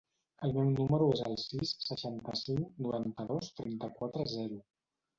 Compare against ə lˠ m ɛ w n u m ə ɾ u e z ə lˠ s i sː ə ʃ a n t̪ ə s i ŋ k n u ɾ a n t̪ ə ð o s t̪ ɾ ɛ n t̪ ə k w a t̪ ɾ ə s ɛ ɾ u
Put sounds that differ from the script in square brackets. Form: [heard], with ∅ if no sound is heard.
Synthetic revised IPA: ə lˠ m ɛ w n u m ə ɾ u e z ə lˠ s i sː ə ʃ a n t̪ ə s i ŋ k n u ɾ a n t̪ ə ð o s t̪ ɾ ɛ n t̪ ə k w a t̪ ɾ ə [z] ɛ ɾ u